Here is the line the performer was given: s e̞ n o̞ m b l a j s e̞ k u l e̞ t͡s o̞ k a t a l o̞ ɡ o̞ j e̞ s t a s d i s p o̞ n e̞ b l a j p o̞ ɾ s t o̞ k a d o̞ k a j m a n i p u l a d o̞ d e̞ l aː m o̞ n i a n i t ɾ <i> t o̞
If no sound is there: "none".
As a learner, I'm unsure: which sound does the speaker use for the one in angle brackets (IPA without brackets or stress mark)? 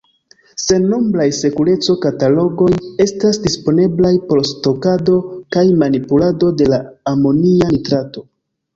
a